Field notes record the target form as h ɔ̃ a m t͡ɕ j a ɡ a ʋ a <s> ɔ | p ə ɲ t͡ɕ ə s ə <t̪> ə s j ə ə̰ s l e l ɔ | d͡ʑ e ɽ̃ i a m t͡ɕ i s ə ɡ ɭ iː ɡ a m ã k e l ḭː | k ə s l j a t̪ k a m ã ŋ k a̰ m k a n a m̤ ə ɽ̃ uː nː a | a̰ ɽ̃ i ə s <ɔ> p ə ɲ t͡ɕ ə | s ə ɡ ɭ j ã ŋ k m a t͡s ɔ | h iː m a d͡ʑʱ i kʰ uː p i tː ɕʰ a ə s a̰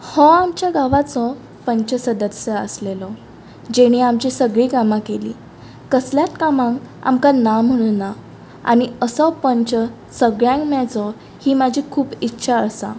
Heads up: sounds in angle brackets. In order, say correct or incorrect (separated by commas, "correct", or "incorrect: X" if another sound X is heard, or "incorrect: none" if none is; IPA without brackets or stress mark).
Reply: incorrect: t͡s, incorrect: d̪, correct